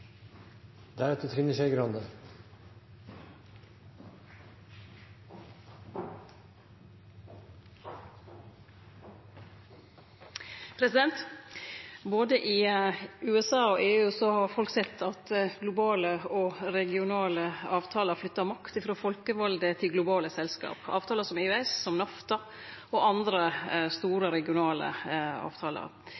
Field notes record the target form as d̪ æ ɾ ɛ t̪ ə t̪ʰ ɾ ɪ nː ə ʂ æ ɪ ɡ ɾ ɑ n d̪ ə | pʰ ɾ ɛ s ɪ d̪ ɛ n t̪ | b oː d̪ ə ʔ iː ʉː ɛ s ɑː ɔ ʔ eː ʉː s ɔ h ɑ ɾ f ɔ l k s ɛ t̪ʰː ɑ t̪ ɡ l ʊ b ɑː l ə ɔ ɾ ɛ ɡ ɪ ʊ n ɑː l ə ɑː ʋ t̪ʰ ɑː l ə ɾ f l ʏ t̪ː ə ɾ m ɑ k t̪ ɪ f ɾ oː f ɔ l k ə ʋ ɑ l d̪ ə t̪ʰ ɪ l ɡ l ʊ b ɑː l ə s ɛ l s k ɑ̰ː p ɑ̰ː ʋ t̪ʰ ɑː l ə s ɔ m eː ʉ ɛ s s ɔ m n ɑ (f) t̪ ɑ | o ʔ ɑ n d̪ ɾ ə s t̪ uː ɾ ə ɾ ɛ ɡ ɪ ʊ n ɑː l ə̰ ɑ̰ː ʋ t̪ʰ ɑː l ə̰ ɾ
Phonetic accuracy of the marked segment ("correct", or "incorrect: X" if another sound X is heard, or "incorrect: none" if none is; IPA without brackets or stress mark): correct